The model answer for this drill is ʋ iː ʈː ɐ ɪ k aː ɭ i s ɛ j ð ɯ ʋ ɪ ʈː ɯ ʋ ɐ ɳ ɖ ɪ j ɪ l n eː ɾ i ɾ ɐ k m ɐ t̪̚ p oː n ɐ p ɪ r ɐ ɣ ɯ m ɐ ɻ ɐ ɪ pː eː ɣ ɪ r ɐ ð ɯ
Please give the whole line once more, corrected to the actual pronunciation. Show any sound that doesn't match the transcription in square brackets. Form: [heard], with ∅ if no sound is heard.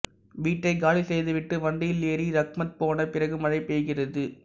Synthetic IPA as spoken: ʋ iː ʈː ɐ ɪ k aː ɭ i s ɛ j ð ɯ ʋ ɪ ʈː ɯ ʋ ɐ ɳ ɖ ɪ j ɪ l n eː ɾ i ɾ ɐ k m ɐ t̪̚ p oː n ɐ p ɪ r ɐ ɣ ɯ m ɐ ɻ ɐ ɪ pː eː ɣ ɪ r ɐ ð ɯ